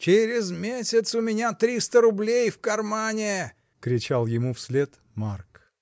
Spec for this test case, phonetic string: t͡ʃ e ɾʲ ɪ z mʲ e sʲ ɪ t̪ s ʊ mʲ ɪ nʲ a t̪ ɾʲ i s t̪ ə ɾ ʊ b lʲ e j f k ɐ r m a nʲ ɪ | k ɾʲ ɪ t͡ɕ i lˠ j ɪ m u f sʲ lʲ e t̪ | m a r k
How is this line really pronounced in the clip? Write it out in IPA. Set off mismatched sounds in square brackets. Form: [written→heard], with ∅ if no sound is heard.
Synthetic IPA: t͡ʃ e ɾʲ ɪ z mʲ e sʲ ɪ t̪ s ʊ mʲ ɪ nʲ a t̪ ɾʲ i s t̪ ə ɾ ʊ b lʲ e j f k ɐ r m a nʲ ɪ | k ɾʲ ɪ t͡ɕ [i→a] lˠ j ɪ m u f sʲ lʲ e t̪ | m a r k